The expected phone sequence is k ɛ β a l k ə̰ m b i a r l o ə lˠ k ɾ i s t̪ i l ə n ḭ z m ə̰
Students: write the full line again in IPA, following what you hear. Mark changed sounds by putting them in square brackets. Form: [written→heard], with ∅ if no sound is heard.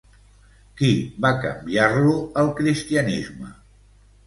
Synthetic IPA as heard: k [ɛ→i] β a [l→∅] k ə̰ m b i a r l [o→u] ə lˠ k ɾ i s t̪ i [l→∅] ə n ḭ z m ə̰